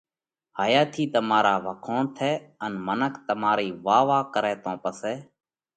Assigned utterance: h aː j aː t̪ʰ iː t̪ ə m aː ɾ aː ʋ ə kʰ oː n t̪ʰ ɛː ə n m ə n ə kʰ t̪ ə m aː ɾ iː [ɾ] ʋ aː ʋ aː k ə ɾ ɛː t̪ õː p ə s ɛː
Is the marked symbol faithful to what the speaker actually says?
no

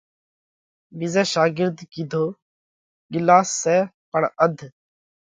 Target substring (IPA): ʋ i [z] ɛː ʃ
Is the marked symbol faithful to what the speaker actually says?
yes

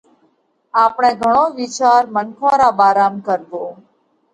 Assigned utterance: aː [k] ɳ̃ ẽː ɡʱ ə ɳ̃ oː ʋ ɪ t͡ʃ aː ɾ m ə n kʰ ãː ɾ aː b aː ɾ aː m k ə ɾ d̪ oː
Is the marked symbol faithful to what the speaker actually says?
no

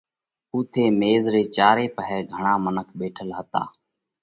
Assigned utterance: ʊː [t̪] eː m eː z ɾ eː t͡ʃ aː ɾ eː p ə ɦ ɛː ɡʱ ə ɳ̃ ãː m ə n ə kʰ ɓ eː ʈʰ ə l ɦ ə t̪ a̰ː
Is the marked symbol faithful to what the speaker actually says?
no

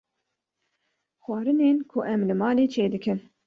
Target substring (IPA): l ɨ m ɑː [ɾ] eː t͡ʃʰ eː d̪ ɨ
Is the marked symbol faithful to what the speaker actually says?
no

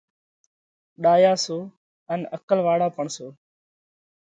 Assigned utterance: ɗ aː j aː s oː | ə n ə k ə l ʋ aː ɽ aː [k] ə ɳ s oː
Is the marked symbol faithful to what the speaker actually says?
no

